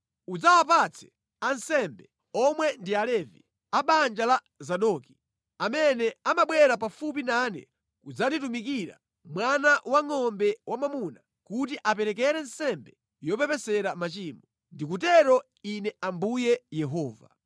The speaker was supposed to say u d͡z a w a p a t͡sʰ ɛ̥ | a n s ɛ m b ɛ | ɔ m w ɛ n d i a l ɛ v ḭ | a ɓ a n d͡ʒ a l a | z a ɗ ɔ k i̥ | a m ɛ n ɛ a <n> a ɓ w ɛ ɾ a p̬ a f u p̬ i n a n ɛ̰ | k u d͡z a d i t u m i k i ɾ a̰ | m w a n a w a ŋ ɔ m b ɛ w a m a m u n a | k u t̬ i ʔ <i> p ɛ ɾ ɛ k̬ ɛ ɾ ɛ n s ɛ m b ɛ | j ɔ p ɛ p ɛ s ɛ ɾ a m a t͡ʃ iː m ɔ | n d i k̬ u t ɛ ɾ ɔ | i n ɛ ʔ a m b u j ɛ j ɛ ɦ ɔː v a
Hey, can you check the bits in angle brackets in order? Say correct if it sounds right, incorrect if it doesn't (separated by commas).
incorrect, incorrect